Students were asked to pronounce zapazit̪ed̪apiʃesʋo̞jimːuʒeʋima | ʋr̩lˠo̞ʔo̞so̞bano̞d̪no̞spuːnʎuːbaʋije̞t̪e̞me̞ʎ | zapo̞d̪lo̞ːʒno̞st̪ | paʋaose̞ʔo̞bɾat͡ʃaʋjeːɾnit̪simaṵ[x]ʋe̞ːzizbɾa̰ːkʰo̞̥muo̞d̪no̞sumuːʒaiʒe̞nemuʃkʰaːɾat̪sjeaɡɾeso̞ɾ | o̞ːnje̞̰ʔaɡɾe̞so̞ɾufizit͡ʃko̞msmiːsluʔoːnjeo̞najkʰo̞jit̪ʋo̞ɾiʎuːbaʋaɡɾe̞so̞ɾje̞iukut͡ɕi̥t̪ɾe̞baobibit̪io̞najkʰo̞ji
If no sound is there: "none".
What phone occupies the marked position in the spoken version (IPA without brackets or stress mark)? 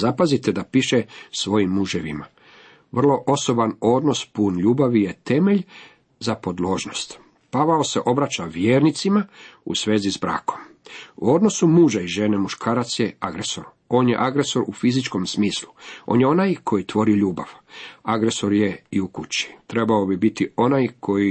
s